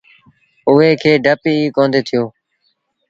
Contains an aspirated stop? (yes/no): yes